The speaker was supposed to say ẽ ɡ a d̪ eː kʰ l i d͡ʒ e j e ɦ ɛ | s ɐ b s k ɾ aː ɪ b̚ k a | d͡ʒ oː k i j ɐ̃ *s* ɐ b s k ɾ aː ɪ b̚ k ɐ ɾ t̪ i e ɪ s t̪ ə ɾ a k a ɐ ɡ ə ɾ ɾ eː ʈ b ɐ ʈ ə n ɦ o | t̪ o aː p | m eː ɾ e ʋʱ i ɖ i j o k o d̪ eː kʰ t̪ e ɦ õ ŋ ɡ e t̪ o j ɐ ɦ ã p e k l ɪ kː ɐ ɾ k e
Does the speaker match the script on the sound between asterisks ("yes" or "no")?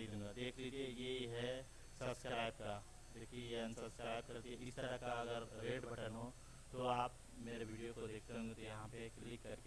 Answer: yes